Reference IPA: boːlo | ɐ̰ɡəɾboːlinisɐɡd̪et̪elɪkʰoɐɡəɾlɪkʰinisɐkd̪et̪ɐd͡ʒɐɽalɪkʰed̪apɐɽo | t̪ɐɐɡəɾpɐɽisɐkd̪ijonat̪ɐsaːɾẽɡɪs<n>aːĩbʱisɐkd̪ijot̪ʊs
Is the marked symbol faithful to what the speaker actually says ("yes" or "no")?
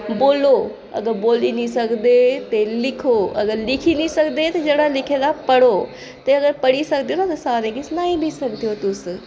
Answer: yes